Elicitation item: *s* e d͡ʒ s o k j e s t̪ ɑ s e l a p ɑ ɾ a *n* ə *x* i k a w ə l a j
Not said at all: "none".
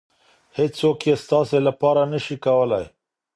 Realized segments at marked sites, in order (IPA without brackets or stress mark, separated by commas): h, n, ʃ